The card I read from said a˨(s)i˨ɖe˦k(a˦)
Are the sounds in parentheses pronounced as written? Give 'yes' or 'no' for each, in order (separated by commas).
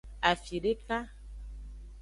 no, yes